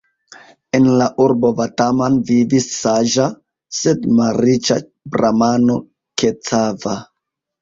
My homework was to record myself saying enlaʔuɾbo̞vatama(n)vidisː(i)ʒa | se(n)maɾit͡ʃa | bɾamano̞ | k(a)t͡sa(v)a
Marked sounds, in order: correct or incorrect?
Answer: correct, incorrect: a, incorrect: d, incorrect: e, correct

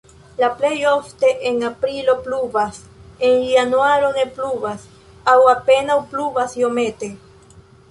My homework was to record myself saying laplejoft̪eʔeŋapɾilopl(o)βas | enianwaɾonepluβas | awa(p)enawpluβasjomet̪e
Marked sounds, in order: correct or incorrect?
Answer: incorrect: u, correct

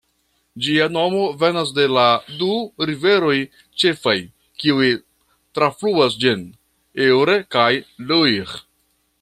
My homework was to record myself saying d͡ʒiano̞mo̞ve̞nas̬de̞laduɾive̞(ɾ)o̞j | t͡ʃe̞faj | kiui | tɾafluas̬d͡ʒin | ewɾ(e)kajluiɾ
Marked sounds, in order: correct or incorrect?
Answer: correct, correct

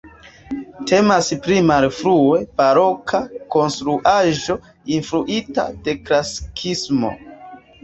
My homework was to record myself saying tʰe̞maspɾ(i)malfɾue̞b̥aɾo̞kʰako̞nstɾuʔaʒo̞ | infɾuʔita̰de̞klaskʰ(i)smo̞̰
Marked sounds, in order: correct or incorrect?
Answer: correct, correct

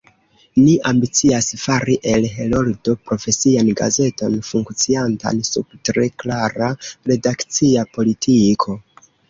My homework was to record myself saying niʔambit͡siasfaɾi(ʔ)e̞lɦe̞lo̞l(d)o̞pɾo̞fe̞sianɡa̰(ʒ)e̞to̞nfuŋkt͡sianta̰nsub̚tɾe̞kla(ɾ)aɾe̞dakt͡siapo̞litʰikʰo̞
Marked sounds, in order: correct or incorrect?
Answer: correct, correct, incorrect: z, correct

